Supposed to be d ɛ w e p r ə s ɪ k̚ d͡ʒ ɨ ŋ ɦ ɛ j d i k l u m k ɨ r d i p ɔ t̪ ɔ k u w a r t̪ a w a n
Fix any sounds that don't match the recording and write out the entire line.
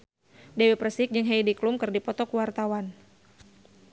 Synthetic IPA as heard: d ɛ w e p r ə s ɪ k̚ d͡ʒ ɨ ŋ ɦ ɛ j d i k l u m k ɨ r d i p ɔ t̪ ɔ k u w a r t̪ a w a n